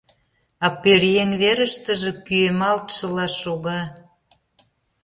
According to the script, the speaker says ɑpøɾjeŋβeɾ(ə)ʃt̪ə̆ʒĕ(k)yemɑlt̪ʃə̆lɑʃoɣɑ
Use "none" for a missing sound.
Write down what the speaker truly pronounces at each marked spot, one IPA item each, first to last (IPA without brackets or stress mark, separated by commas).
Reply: ə, k